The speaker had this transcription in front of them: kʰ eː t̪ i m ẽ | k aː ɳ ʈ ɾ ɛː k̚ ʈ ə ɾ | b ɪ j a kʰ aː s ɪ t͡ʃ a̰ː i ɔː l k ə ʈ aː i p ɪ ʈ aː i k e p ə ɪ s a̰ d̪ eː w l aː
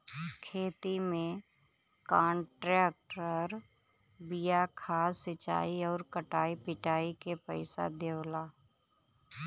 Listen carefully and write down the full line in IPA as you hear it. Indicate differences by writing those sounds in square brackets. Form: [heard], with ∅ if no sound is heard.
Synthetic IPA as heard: kʰ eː t̪ i m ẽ | k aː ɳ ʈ ɾ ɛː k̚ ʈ ə ɾ | b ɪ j a kʰ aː s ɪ t͡ʃ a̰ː i ɔː [ɾ] k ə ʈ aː i p ɪ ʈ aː i k e p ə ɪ s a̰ d̪ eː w l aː